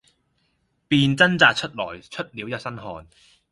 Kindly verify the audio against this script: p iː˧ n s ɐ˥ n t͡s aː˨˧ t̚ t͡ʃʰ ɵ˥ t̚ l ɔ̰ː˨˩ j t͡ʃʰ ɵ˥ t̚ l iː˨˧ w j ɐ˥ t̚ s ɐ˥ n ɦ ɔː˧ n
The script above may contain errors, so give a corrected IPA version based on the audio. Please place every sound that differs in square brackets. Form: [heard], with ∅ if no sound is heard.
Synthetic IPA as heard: p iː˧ n [t͡s] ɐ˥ n t͡s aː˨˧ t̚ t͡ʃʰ ɵ˥ t̚ l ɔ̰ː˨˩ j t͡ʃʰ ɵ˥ t̚ l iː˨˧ w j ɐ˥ t̚ s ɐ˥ n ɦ ɔː˧ n